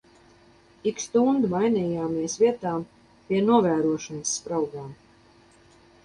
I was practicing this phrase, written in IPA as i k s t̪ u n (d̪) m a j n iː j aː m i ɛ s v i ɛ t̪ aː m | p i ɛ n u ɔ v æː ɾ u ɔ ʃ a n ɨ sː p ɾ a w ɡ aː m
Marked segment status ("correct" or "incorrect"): correct